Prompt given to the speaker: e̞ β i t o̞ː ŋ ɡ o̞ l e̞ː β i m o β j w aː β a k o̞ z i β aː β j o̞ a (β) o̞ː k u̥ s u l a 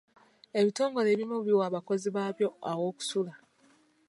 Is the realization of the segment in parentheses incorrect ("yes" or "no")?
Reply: yes